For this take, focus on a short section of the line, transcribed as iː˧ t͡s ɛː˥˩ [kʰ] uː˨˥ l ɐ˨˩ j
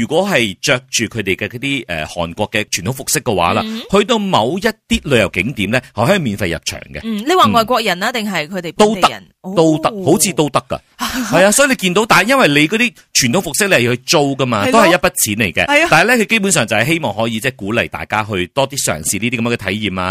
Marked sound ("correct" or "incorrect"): incorrect